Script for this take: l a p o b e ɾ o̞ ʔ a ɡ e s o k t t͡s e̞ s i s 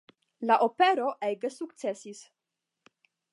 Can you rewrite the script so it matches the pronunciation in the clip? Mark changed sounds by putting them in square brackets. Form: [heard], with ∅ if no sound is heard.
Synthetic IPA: l a [ʔ] o [p] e ɾ o̞ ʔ [e] ɡ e s [u] k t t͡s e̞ s i s